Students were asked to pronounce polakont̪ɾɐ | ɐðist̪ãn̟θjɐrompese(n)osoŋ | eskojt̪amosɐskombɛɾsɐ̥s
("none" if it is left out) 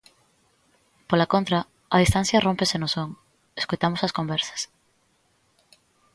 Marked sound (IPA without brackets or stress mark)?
n